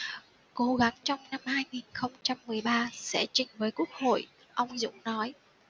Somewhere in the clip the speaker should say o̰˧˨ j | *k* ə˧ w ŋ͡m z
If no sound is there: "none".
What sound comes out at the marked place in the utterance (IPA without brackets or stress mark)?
ʔ